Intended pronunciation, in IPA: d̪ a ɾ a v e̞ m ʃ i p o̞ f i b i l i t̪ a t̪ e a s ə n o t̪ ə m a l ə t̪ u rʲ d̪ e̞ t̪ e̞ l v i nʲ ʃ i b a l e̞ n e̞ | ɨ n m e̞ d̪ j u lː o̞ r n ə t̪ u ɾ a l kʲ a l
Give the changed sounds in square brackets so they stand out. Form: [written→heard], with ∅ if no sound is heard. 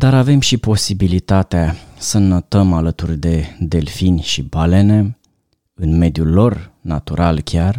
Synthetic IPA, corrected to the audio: d̪ a ɾ a v e̞ m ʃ i p o̞ [f→s] i b i l i t̪ a t̪ e a s ə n o t̪ ə m a l ə t̪ u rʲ d̪ e̞ [t̪→d̪] e̞ l [v→f] i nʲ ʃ i b a l e̞ n e̞ | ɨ n m e̞ d̪ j u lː o̞ r n [ə→a] t̪ u ɾ a l kʲ a [l→r]